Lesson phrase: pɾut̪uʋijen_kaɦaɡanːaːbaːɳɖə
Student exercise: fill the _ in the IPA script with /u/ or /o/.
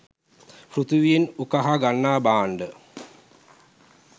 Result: u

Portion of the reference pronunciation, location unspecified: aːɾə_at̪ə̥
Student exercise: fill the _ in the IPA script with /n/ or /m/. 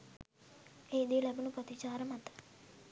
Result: m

